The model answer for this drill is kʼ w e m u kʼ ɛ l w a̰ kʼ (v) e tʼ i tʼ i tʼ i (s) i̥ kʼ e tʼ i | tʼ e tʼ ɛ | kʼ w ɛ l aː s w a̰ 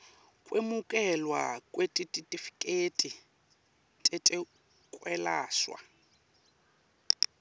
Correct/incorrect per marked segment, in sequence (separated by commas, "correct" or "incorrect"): incorrect, incorrect